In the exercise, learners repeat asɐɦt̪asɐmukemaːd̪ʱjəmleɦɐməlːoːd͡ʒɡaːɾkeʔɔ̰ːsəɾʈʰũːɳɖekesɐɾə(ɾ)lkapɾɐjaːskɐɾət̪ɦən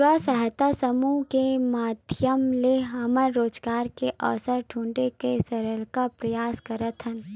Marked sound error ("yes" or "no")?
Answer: yes